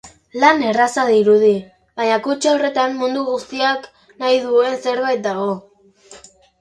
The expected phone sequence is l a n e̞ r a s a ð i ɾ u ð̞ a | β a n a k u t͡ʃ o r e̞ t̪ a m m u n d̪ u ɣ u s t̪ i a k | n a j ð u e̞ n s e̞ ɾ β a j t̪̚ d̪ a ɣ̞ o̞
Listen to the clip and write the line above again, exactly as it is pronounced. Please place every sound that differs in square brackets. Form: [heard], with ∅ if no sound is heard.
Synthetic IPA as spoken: l a n e̞ r a s a ð i ɾ u ð̞ [i] | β a [ɲ] a k u t͡ʃ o r e̞ t̪ a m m u n d̪ u ɣ u s t̪ i a k | n a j ð u e̞ n s e̞ ɾ β a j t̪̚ d̪ a ɣ̞ o̞